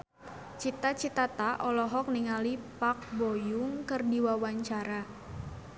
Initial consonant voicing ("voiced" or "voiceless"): voiceless